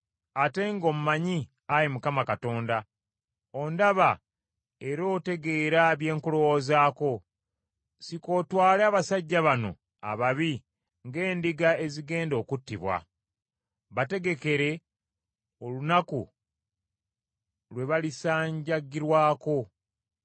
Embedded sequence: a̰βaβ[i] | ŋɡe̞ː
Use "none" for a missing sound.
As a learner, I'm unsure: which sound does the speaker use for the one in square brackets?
i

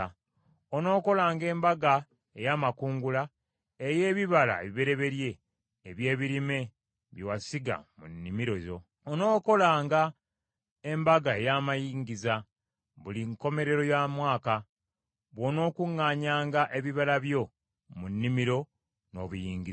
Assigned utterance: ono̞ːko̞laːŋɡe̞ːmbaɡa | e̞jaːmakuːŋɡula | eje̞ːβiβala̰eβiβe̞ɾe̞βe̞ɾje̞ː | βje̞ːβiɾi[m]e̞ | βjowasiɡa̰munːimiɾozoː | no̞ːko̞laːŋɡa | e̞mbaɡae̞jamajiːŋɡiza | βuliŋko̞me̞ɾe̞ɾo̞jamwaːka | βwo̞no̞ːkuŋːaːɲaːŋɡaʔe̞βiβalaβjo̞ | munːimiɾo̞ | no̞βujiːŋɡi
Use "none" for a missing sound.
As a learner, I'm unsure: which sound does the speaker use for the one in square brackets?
m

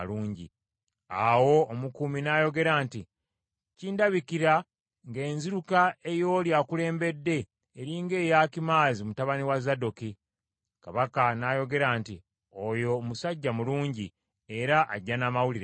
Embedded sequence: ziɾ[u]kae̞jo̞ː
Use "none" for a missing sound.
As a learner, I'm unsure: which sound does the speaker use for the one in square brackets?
u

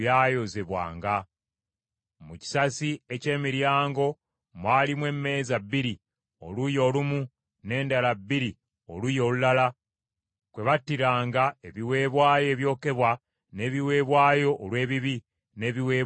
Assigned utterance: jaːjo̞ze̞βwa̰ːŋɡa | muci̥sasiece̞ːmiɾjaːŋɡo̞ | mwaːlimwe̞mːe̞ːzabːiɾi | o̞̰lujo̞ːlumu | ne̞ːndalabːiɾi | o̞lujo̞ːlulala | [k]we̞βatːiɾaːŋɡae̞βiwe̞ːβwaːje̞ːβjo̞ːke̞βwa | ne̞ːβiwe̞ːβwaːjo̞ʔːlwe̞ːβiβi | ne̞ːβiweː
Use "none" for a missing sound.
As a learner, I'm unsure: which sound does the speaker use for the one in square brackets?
k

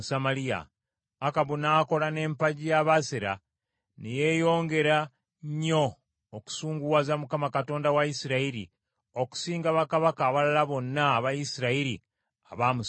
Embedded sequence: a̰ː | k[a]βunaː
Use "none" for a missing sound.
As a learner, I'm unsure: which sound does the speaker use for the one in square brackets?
a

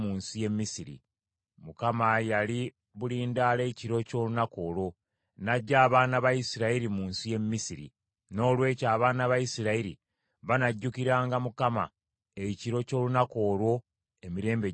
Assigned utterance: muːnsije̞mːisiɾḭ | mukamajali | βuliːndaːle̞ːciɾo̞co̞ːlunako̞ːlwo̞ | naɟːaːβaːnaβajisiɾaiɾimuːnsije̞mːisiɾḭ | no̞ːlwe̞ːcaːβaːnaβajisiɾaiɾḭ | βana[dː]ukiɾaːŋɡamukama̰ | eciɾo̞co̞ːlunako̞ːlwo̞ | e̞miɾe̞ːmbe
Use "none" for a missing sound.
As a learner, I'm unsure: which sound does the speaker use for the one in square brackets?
ɟː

